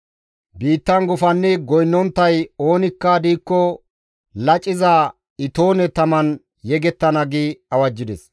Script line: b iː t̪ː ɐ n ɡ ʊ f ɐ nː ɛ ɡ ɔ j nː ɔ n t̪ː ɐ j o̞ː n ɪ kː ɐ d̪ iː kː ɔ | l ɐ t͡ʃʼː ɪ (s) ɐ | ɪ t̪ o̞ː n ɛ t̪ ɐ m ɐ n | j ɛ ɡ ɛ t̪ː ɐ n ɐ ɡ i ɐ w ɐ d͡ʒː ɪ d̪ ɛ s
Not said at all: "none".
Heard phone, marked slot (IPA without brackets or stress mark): z